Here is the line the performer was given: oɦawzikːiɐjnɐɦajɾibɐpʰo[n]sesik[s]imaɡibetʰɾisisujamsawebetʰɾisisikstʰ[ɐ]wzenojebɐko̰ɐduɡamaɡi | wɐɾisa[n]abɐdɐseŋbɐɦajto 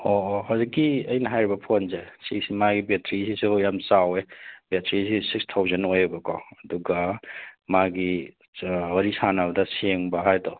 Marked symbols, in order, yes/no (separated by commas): yes, yes, no, yes